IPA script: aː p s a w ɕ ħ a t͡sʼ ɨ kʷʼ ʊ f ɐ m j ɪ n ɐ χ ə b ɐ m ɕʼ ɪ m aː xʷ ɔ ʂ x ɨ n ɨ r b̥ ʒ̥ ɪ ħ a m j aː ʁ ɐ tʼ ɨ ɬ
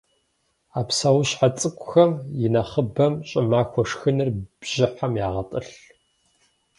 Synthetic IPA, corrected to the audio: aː p s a w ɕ ħ a t͡sʼ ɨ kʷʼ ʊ x ɐ m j ɪ n ɐ χ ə b ɐ m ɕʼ ɪ m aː xʷ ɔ ʂ x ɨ n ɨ r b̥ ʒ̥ ɪ ħ a m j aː ʁ ɐ tʼ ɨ ɬ